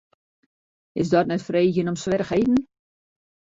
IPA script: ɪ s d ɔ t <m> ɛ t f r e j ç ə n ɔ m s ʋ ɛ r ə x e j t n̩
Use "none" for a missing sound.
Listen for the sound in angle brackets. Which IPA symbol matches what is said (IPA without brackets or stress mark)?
n